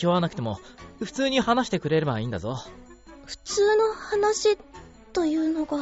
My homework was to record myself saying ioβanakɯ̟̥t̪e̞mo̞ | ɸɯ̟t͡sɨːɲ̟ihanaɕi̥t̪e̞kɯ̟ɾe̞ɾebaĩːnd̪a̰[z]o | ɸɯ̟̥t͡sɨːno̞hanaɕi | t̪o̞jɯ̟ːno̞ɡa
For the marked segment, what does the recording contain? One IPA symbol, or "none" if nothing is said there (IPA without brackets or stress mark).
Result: z